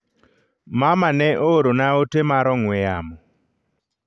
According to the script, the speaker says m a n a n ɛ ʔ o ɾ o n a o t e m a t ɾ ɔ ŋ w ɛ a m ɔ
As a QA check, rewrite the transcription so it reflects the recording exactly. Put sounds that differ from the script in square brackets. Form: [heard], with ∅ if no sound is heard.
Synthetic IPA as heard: m a [m] a n ɛ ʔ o ɾ o n a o t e m a [∅] ɾ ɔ ŋ w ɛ a m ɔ